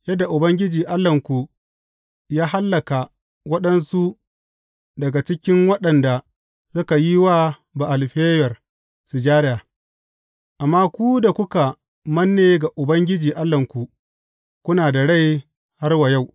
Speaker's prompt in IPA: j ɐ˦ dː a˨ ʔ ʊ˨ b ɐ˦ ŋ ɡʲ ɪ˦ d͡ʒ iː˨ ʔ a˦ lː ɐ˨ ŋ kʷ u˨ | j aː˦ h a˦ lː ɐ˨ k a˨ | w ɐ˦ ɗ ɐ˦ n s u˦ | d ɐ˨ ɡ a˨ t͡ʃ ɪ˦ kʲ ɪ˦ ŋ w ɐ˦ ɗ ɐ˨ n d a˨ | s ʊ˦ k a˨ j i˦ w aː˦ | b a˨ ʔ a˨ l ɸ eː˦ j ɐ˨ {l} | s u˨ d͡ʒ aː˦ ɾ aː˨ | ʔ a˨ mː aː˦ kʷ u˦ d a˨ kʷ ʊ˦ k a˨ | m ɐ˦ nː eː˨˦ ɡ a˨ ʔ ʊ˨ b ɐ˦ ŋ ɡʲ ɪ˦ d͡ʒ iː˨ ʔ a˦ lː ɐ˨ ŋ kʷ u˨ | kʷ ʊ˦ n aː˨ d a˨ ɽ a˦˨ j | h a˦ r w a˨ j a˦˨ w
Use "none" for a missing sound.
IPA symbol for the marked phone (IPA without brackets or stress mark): r